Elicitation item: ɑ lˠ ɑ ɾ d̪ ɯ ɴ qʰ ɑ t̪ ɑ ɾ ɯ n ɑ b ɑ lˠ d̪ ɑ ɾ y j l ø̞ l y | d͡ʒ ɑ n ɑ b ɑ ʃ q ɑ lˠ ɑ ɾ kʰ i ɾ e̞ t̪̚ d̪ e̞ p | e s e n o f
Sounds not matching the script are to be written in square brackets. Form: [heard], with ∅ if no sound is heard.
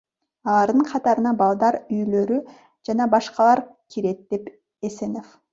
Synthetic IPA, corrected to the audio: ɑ lˠ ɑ ɾ d̪ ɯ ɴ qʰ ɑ t̪ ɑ ɾ ɯ n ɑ b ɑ lˠ d̪ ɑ ɾ y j l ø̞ [ɾ] y | d͡ʒ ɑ n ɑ b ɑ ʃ q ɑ lˠ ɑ ɾ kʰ i ɾ e̞ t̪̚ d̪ e̞ p | e s e n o f